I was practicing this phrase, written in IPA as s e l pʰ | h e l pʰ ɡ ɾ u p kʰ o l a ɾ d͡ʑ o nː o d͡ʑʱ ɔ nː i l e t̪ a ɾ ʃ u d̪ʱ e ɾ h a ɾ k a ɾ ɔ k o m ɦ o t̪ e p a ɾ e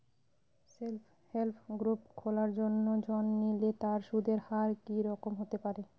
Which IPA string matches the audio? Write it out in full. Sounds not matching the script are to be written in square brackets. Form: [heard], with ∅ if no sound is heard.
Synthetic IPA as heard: s e l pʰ | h e l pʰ ɡ ɾ u p kʰ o l a ɾ d͡ʑ o nː o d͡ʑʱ ɔ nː i l e t̪ a ɾ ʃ u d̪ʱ e ɾ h a ɾ k [i] ɾ ɔ k o m ɦ o t̪ e p a ɾ e